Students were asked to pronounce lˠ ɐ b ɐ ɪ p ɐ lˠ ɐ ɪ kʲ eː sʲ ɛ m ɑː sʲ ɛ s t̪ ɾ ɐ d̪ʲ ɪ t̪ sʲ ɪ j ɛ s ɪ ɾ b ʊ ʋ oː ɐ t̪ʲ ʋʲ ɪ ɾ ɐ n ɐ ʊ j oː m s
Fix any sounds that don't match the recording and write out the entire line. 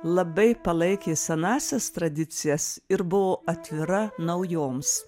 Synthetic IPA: lˠ ɐ b ɐ ɪ p ɐ lˠ ɐ ɪ kʲ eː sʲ ɛ n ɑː sʲ ɛ s t̪ ɾ ɐ d̪ʲ ɪ t̪ sʲ ɪ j ɛ s ɪ ɾ b ʊ ʋ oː ɐ t̪ʲ ʋʲ ɪ ɾ ɐ n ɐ ʊ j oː m s

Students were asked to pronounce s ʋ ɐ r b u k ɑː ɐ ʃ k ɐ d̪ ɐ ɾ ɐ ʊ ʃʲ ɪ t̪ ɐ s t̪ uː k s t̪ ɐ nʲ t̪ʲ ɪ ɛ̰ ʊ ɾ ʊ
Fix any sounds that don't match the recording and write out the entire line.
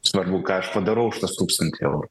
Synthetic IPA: s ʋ ɐ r b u k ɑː ɐ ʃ p ɐ d̪ ɐ ɾ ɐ ʊ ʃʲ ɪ t̪ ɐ s t̪ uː k s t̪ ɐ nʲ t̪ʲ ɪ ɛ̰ ʊ ɾ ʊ

